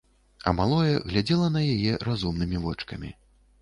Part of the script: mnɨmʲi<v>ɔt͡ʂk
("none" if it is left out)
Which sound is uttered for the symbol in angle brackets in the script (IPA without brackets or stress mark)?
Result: v